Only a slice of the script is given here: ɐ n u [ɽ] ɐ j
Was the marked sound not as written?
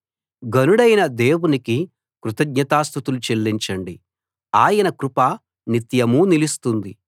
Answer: no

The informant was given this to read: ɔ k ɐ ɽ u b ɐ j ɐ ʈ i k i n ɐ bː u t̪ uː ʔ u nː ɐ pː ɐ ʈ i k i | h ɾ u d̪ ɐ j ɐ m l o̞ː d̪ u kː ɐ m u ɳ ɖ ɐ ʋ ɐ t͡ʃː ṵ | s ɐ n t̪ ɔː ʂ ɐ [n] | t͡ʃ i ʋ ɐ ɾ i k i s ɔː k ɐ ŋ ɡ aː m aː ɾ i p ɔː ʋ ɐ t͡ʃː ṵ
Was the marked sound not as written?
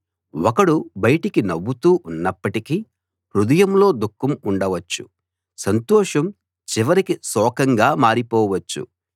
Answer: yes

